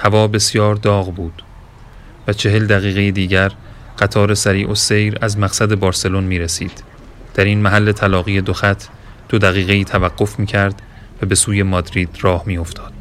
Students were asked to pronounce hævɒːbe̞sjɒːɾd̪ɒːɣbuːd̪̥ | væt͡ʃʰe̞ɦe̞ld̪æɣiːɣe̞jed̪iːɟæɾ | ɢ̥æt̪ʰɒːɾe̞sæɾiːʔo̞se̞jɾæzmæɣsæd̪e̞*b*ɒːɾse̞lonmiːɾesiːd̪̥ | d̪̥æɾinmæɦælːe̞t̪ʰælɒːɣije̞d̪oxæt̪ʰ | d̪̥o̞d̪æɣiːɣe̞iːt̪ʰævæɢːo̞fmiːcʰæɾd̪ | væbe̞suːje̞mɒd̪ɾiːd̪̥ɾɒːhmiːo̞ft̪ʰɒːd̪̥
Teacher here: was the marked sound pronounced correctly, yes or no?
yes